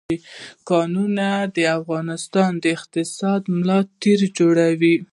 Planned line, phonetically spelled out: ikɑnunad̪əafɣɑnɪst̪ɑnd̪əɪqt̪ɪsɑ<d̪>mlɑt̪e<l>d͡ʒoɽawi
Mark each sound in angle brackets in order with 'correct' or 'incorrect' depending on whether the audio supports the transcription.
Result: correct, incorrect: ɾ

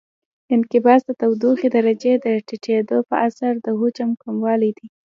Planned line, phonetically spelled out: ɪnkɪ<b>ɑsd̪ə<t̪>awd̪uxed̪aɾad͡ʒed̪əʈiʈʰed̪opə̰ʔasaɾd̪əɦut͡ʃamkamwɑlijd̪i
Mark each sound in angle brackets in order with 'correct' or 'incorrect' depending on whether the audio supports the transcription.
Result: correct, correct

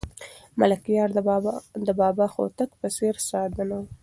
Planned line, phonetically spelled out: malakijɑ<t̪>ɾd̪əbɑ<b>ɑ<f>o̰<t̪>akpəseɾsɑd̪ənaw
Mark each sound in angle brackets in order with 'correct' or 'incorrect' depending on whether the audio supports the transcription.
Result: incorrect: none, correct, incorrect: x, correct

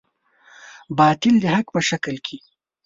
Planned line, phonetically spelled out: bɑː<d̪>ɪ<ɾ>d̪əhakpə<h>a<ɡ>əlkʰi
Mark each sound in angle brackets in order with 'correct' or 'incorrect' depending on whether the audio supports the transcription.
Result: incorrect: t̪, incorrect: l, incorrect: ʃ, incorrect: k

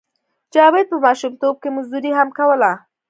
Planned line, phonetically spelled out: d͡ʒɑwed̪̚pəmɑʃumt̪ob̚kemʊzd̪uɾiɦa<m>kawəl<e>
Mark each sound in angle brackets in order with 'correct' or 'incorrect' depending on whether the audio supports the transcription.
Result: correct, incorrect: a

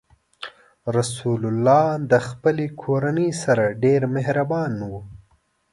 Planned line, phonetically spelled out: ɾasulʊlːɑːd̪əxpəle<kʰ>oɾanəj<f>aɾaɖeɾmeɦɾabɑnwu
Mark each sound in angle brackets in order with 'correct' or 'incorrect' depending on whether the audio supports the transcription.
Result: correct, incorrect: s

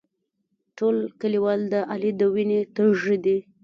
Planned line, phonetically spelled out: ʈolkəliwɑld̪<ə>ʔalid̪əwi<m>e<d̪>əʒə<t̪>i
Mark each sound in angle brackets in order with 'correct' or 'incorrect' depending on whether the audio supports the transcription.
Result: correct, incorrect: n, incorrect: t̪, incorrect: d̪

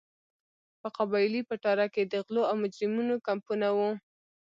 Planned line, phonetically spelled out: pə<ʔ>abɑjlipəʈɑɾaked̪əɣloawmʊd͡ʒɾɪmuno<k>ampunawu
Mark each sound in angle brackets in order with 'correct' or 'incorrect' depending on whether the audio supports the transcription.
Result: incorrect: q, correct

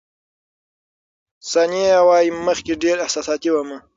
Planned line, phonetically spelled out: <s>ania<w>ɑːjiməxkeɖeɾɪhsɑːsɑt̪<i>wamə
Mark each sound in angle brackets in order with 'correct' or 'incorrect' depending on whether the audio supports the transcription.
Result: correct, correct, correct

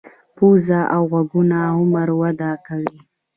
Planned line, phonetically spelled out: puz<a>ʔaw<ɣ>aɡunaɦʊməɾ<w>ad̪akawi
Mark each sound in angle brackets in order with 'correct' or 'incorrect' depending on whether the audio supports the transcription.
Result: correct, correct, correct

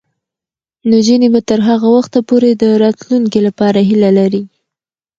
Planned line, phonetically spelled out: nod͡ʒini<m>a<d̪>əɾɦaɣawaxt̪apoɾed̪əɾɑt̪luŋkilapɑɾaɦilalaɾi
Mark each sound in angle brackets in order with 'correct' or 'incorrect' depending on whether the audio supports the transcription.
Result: incorrect: b, incorrect: t̪

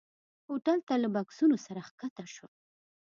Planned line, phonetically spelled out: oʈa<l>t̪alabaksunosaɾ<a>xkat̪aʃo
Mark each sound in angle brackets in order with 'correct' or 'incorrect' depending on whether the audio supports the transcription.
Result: correct, correct

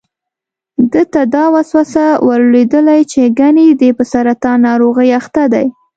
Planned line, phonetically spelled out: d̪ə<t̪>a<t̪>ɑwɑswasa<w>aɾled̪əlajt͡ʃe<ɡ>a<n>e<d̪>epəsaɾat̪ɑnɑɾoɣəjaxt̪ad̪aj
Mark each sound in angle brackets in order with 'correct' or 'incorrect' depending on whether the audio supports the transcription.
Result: correct, incorrect: d̪, correct, correct, correct, correct

